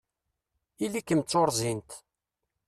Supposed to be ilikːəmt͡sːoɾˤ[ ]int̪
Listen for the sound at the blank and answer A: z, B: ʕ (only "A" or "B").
A